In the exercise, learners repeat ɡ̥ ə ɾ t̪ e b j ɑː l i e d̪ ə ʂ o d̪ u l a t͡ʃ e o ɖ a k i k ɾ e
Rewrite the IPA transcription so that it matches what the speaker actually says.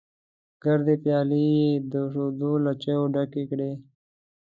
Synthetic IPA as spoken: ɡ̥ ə ɾ d̪ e p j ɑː l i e d̪ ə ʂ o d̪ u l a t͡ʃ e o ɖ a k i k ɽ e